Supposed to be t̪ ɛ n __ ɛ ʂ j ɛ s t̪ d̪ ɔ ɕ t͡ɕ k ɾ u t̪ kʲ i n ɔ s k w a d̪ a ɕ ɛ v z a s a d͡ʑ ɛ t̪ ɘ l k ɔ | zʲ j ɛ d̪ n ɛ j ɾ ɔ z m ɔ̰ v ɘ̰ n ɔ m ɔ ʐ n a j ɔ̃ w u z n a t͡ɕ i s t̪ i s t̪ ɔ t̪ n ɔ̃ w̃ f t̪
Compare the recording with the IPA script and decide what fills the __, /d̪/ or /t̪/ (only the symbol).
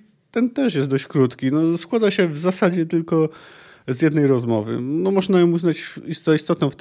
t̪